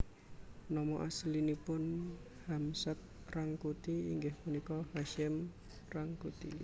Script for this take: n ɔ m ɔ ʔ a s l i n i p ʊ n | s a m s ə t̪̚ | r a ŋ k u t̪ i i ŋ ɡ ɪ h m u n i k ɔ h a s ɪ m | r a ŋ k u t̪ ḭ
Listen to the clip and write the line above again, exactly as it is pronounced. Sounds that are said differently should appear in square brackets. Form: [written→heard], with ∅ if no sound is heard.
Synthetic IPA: n ɔ m ɔ ʔ a s l i n i p ʊ n | [s→h] a m s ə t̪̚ | r a ŋ k u t̪ i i ŋ ɡ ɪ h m u n i k ɔ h a [s→ʃ] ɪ m | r a ŋ k u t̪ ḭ